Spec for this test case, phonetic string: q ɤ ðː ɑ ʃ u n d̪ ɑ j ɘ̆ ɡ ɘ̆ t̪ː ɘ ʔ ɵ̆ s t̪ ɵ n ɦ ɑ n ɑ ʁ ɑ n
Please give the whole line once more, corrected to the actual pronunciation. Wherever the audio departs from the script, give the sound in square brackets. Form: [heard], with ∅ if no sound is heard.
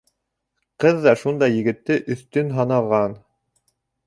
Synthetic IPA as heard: q ɤ ðː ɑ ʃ u n d̪ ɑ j ɘ̆ ɡ ɘ̆ t̪ː ɘ ʔ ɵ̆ [θ] t̪ ɵ n ɦ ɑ n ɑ ʁ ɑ n

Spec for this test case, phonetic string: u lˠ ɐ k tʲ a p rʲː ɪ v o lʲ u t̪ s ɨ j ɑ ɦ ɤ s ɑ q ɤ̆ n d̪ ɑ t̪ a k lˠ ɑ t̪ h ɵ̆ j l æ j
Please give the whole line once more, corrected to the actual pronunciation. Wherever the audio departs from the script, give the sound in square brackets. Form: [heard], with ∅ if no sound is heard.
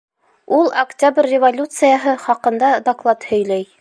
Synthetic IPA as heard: u lˠ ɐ k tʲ a [b] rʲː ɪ v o lʲ u t̪ s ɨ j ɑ ɦ ɤ [χ] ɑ q ɤ̆ n d̪ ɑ [d̪] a k lˠ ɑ t̪ h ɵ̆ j l æ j

